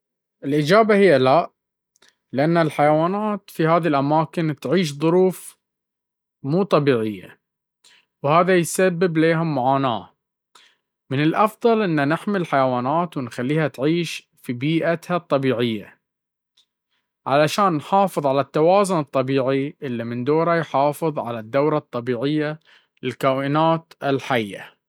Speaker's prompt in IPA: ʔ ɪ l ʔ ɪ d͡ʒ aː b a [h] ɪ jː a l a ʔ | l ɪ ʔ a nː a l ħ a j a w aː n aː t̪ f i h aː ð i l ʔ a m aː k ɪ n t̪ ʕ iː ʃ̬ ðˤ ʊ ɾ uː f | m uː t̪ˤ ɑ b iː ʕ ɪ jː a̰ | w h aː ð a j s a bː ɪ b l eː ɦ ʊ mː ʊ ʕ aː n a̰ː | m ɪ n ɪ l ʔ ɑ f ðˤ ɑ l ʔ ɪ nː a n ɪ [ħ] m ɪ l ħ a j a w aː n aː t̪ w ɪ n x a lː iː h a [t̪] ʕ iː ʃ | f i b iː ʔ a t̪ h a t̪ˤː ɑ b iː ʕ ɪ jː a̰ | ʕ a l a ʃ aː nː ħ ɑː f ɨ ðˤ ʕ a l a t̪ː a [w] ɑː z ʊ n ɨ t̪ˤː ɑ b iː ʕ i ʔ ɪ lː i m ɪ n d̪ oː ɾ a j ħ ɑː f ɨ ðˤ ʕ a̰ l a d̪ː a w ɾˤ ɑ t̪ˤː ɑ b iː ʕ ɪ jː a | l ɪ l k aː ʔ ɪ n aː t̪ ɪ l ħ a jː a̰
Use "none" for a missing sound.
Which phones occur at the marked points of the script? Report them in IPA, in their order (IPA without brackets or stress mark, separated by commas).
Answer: h, ħ, t̪, w